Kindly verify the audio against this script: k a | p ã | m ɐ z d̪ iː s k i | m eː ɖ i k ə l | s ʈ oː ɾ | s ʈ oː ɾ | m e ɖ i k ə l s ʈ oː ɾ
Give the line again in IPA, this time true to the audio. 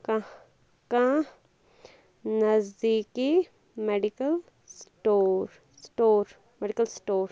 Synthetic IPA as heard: k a | k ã | n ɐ z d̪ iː k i | m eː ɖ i k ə l | s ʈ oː ɾ | s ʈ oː ɾ | m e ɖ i k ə l s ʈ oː ɾ